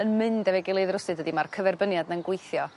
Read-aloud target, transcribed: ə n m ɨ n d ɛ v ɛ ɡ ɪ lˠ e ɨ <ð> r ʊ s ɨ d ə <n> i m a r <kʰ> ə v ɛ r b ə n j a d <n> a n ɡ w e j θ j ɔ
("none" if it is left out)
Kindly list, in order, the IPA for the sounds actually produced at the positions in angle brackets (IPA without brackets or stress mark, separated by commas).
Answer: ð, d, kʰ, n